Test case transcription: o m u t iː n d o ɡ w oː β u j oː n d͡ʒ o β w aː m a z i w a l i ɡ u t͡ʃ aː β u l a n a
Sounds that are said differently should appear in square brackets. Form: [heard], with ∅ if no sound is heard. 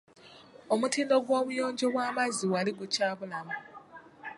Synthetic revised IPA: o m u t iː n d o ɡ w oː β u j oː [ɲ] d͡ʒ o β w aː m a z i w a l i ɡ u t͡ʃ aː β u l a [m] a